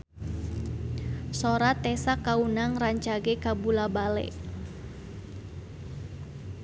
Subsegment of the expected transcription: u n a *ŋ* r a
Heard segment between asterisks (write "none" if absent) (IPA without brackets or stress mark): ŋ